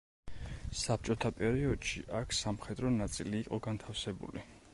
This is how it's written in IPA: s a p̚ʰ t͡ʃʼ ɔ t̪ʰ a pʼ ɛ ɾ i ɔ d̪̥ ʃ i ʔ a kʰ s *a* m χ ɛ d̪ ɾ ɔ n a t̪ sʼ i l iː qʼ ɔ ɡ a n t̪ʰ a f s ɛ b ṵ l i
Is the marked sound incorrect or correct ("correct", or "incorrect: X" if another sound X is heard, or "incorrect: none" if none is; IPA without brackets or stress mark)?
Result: correct